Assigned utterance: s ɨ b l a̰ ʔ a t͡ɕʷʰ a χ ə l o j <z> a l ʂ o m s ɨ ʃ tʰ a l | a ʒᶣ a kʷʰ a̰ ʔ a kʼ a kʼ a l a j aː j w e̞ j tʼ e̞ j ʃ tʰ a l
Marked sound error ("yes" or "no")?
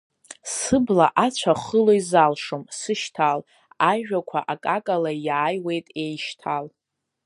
no